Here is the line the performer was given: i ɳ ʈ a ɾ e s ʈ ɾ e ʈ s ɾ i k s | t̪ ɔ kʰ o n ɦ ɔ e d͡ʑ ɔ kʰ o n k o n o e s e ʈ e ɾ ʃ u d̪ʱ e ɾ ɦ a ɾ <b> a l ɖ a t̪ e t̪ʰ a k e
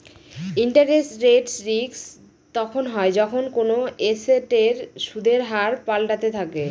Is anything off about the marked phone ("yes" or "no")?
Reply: yes